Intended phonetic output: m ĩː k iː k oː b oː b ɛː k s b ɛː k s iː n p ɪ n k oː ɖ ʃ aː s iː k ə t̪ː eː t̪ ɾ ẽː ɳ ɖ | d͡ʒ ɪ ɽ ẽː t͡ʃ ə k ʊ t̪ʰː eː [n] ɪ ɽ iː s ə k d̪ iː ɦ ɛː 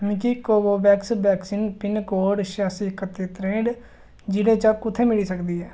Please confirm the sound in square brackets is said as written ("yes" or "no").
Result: no